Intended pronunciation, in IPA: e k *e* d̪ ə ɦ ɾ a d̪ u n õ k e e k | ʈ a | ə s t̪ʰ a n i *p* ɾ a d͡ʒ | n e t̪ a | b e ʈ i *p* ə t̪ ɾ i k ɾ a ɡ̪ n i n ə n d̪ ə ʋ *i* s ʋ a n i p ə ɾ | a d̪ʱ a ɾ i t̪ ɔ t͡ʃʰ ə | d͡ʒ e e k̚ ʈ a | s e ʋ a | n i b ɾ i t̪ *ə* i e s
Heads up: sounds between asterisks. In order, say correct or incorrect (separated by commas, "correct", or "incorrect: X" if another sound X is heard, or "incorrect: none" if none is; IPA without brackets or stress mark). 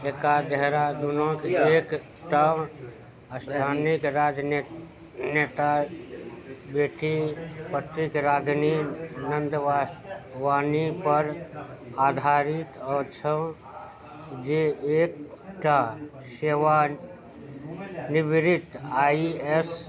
incorrect: a, incorrect: k, correct, incorrect: a, incorrect: a